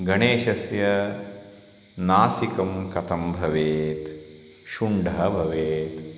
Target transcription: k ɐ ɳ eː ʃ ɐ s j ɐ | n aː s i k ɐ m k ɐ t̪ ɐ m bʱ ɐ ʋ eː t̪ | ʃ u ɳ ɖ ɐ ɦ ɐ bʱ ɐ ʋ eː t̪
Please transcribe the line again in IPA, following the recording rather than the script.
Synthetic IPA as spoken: ɡ ɐ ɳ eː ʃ ɐ s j ɐ | n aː s i k ɐ m k ɐ t̪ ɐ m bʱ ɐ ʋ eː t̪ | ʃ u ɳ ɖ ɐ ɦ ɐ bʱ ɐ ʋ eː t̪